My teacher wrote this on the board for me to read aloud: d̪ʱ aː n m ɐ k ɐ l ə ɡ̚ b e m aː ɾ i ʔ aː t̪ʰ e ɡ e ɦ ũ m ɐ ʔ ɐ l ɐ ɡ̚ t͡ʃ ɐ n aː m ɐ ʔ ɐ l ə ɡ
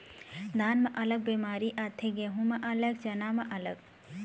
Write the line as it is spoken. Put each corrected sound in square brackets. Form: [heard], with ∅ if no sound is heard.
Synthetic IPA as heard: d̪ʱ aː n m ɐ [ʔ] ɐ l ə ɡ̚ b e m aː ɾ i ʔ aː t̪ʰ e ɡ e ɦ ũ m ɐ ʔ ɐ l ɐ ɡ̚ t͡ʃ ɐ n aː m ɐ ʔ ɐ l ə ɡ

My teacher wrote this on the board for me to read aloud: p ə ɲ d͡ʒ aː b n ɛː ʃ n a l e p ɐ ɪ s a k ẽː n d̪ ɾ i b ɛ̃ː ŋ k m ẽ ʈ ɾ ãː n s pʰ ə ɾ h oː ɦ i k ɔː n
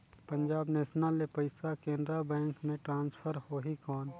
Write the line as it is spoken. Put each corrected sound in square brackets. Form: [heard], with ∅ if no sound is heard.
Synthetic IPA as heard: p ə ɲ d͡ʒ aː b n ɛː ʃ n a l e p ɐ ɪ s a k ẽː n d̪ ɾ [a] b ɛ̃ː ŋ k m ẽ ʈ ɾ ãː n s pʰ ə ɾ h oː ɦ i k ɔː n

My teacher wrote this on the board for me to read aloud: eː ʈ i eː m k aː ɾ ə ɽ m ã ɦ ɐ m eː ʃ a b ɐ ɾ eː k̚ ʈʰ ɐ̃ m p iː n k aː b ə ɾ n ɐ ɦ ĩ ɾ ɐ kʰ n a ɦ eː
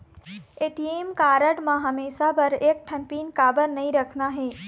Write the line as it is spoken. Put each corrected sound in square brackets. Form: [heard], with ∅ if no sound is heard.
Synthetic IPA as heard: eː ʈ i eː m k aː ɾ ə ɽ m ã ɦ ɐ m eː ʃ a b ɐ ɾ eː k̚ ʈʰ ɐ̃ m p iː n k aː b ə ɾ n ɐ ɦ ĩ ɾ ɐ kʰ n a ɦ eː

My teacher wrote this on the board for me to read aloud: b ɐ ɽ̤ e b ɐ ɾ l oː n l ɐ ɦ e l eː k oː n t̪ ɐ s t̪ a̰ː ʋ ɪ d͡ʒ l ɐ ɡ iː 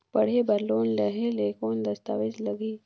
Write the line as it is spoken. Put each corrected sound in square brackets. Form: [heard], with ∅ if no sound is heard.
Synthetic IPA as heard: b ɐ ɽ̤ e b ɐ ɾ l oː n l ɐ ɦ e l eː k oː n [d̪] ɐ s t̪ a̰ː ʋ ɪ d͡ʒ l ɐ ɡ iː

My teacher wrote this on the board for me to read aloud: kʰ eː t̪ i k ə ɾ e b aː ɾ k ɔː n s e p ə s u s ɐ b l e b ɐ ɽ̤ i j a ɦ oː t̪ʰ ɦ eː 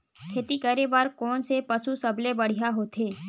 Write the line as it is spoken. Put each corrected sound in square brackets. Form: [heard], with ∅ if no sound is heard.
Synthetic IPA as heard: kʰ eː t̪ i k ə ɾ e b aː ɾ k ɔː n s e p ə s u s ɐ b l e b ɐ ɽ̤ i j a ɦ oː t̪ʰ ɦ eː

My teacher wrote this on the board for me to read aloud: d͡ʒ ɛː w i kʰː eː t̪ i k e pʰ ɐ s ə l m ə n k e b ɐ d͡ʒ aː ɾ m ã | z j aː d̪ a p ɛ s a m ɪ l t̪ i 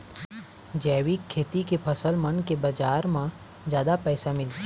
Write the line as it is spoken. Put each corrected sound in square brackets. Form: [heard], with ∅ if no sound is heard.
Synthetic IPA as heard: d͡ʒ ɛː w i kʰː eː t̪ i k e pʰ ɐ s ə l m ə n k e b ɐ d͡ʒ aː ɾ m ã | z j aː d̪ a p [ɛː] s a m ɪ l t̪ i

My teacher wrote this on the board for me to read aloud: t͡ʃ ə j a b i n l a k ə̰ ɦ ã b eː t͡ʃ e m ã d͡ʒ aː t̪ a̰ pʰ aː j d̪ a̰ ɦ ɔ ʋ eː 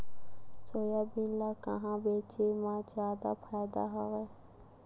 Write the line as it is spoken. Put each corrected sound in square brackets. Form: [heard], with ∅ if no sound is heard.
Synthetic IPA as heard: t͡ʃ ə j a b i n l a k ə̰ ɦ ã b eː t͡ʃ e m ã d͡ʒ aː [d̪] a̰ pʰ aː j d̪ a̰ ɦ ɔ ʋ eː

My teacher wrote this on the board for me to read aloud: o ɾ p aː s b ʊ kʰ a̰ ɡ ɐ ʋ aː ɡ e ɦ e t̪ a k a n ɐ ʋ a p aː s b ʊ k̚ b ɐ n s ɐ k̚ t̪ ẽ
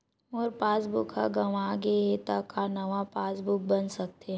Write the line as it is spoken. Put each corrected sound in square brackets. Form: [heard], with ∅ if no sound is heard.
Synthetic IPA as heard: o ɾ p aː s b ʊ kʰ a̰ ɡ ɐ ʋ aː ɡ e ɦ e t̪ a k a n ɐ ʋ a p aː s b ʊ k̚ b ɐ n s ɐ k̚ t̪ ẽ

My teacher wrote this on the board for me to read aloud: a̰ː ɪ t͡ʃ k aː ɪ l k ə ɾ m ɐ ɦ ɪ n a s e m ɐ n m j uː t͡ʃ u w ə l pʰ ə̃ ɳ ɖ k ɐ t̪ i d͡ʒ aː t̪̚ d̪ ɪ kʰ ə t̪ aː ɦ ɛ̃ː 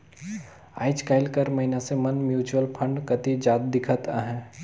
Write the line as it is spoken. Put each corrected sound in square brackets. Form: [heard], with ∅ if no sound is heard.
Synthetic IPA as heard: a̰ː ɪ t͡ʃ k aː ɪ l k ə ɾ m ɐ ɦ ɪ n a s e m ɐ n m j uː t͡ʃ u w ə l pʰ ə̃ ɳ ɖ k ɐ t̪ i d͡ʒ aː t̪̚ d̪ ɪ kʰ ə t̪ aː ɦ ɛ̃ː

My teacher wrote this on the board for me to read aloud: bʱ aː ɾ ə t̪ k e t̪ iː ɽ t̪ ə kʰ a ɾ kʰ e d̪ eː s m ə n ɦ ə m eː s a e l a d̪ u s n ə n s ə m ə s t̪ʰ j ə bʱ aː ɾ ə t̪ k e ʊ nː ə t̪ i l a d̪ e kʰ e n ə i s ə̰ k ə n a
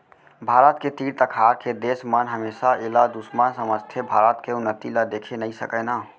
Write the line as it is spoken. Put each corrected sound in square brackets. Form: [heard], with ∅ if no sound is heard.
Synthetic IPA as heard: bʱ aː ɾ ə t̪ k e t̪ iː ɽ t̪ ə kʰ a ɾ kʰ e d̪ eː s m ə n ɦ ə m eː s a e l a d̪ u s [m] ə n s ə m ə s t̪ʰ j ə bʱ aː ɾ ə t̪ k e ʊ nː ə t̪ i l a d̪ e kʰ e n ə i s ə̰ k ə n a

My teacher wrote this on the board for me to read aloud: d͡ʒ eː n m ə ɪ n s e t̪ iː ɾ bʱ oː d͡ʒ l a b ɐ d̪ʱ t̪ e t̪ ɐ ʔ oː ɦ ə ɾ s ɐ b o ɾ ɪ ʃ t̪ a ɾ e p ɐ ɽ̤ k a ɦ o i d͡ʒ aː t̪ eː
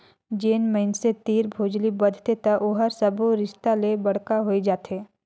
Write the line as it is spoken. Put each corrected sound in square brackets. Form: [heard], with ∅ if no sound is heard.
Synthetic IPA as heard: d͡ʒ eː n m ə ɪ n s e t̪ iː ɾ bʱ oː d͡ʒ l [i] b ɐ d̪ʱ t̪ e t̪ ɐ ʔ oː ɦ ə ɾ s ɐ b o ɾ ɪ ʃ t̪ a [l] e [b] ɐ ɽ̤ k a ɦ o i d͡ʒ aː t̪ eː

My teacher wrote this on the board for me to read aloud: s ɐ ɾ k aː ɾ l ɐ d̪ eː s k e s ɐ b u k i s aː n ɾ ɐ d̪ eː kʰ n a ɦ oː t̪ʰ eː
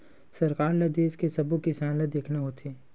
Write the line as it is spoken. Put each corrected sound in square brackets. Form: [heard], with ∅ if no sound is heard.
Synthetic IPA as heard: s ɐ ɾ k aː ɾ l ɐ d̪ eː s k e s ɐ b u k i s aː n [l] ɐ d̪ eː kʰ n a ɦ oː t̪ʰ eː

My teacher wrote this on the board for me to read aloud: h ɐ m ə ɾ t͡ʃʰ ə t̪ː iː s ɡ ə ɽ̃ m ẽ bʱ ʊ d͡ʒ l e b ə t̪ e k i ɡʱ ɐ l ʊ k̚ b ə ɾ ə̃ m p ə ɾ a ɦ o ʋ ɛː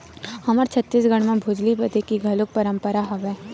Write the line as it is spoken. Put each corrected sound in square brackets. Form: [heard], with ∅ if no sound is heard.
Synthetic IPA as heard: h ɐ m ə ɾ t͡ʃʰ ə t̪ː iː s ɡ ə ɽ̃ m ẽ bʱ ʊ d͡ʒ l [i] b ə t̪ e k i ɡʱ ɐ l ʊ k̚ [p] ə ɾ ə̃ m p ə ɾ a ɦ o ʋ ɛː

